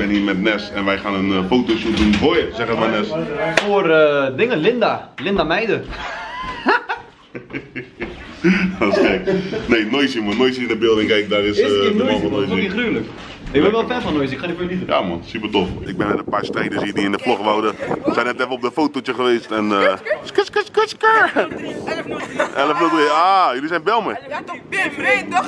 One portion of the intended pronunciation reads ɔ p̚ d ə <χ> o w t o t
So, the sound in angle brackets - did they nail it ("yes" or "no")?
no